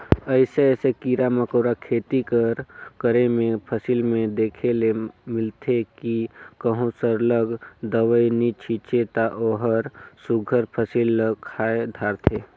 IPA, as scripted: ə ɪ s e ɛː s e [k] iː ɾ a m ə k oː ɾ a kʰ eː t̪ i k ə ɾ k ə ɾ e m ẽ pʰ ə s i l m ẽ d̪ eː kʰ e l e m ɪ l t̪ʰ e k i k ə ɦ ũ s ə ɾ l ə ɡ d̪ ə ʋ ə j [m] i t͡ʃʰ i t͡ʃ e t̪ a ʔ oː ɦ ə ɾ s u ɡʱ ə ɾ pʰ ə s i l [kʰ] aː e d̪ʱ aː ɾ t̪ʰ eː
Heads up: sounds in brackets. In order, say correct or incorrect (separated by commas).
correct, incorrect, correct